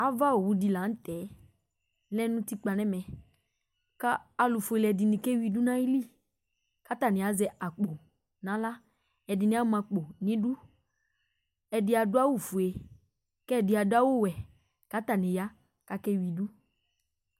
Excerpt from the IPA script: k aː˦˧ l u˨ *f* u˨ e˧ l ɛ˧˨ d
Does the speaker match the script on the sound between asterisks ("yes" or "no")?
yes